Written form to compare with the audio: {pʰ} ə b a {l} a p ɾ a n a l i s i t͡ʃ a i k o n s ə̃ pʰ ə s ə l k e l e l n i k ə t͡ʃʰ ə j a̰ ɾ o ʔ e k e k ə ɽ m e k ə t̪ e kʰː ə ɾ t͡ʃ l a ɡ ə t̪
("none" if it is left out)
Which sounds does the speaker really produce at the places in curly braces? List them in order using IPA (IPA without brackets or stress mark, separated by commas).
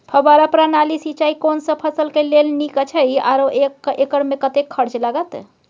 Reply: pʰ, ɾ